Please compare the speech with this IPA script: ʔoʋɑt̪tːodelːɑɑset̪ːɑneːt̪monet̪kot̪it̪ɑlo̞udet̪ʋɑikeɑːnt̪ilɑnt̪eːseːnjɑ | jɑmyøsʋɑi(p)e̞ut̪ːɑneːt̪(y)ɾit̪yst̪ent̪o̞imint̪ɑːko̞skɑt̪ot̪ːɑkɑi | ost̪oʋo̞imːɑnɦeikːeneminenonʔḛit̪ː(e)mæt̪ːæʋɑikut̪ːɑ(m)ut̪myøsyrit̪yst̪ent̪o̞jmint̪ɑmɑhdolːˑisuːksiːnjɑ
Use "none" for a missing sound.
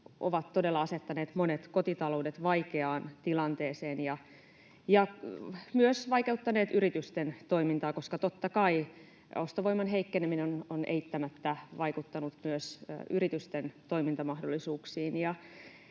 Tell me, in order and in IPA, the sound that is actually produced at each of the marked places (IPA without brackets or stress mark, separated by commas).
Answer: k, y, æ, n